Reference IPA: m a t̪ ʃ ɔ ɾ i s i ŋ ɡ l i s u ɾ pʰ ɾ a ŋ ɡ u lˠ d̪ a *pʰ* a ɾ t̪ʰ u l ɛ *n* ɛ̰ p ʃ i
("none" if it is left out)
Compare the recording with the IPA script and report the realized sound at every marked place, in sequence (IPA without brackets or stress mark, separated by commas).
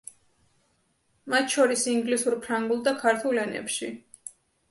kʰ, n